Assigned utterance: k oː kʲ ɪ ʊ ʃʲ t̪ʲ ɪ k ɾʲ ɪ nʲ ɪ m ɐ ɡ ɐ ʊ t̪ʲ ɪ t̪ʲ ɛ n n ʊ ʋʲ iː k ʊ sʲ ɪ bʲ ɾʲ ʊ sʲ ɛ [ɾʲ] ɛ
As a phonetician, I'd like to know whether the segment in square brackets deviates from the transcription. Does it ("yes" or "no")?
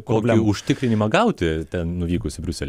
yes